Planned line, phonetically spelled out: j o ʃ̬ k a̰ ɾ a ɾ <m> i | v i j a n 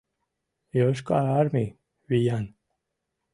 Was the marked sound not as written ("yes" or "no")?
no